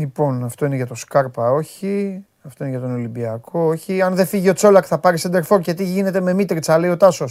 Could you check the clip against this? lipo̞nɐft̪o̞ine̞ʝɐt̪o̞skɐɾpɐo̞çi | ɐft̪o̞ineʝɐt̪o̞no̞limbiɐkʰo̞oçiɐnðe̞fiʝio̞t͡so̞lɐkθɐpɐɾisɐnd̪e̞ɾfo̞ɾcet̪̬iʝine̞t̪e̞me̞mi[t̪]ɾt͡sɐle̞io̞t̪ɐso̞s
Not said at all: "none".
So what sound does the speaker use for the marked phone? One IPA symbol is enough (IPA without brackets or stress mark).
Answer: t̪